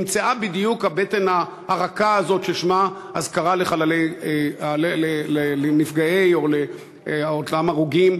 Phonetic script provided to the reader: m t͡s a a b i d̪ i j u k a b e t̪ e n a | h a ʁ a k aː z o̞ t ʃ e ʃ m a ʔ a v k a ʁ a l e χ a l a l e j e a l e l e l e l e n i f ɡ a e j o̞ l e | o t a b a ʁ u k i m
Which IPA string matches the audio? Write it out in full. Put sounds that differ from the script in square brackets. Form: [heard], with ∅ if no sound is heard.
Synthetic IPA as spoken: m t͡s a a b i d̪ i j u k a b e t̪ e n a | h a ʁ a k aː z o̞ t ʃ e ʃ m a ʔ a [z] k a ʁ a l e χ a l a l e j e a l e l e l e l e n i f ɡ a e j o̞ l e | o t a [m] a ʁ u [ɡ] i m